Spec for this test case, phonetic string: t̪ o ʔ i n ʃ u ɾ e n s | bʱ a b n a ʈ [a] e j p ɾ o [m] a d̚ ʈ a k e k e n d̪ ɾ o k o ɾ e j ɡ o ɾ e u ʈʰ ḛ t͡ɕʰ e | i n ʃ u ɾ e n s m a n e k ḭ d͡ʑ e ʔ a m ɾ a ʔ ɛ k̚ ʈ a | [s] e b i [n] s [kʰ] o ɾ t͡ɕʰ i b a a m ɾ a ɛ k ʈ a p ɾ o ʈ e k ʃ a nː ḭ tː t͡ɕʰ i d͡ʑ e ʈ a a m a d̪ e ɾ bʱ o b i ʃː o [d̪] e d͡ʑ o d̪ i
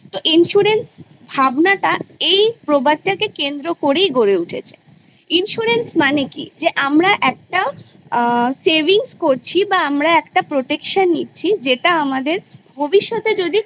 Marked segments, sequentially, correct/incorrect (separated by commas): correct, incorrect, correct, incorrect, incorrect, incorrect